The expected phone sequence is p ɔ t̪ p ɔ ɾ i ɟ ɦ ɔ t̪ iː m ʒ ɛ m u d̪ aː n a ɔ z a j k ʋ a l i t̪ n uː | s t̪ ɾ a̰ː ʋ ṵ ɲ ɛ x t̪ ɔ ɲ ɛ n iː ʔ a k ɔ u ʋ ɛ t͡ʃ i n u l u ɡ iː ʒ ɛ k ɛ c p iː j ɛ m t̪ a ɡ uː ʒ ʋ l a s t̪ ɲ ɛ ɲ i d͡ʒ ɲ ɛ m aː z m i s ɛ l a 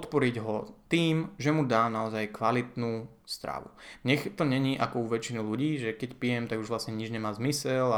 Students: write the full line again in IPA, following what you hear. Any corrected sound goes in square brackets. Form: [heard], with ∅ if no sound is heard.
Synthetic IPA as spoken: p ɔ t̪ p ɔ ɾ i ɟ ɦ ɔ t̪ iː m ʒ ɛ m u d̪ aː n a ɔ z a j k ʋ a l i t̪ n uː | s t̪ ɾ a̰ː ʋ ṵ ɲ ɛ x t̪ ɔ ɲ ɛ [ɲ] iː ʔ a k ɔ u ʋ ɛ t͡ʃ i n u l u [ɟ] iː ʒ ɛ k ɛ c p [i] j ɛ m t̪ a ɡ [u] ʒ ʋ l a s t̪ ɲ ɛ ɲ i d͡ʒ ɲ ɛ m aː z m i s ɛ l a